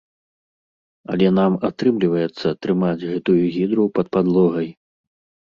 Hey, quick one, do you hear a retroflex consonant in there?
no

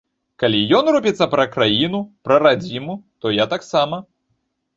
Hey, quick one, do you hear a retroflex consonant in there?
no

